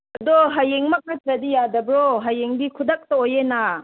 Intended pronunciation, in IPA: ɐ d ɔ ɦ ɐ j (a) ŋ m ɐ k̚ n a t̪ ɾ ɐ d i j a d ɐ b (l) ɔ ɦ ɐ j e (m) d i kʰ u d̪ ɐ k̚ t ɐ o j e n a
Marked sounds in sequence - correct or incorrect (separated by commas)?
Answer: incorrect, incorrect, incorrect